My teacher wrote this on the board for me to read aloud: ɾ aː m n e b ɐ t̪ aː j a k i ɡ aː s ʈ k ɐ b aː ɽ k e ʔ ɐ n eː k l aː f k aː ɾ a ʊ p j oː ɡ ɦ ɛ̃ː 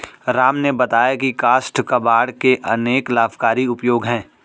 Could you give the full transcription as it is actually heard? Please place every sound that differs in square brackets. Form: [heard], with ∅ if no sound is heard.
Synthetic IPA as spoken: ɾ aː m n e b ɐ t̪ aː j a k i [k] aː s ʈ k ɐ b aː ɽ k e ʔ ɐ n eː k l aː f k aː ɾ [i] ʊ p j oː ɡ ɦ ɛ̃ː